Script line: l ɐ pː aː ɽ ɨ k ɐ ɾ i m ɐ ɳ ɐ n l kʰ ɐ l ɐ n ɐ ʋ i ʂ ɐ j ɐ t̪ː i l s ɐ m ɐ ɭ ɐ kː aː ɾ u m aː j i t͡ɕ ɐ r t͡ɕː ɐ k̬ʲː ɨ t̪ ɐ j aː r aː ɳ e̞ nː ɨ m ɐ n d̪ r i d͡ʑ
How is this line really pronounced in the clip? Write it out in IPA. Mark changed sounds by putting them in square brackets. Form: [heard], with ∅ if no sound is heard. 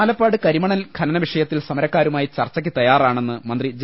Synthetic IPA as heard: l ɐ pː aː ɽ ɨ k ɐ ɾ i m ɐ ɳ ɐ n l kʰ ɐ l ɐ n ɐ ʋ i ʂ ɐ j ɐ t̪ː i l s ɐ m ɐ [ɾ] ɐ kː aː ɾ u m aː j i t͡ɕ ɐ r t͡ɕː ɐ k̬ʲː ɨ t̪ ɐ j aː r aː ɳ e̞ nː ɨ m ɐ n d̪ r i d͡ʑ